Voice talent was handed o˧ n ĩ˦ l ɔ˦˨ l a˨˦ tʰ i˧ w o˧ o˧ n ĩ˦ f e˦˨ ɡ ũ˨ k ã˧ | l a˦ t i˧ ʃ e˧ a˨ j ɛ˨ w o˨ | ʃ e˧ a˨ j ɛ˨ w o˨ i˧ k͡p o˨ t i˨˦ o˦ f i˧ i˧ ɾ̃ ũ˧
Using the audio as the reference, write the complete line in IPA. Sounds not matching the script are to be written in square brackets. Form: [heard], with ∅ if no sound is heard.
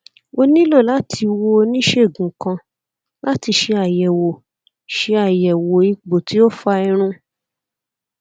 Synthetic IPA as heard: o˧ n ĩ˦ l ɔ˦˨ l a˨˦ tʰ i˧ w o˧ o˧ n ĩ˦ [ʃ] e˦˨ ɡ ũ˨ k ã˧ | l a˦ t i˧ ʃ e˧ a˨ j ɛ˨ w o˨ | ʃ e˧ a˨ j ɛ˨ w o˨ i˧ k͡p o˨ t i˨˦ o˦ f [a˧] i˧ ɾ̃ ũ˧